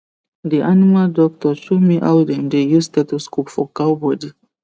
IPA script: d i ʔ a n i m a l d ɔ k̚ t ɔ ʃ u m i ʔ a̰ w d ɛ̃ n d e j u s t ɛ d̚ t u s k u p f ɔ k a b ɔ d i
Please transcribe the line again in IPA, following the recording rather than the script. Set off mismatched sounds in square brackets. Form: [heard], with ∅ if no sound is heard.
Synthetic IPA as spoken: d i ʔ a n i m a l d ɔ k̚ t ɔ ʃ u m i ʔ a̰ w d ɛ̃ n d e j u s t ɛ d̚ t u s k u p f ɔ k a b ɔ d i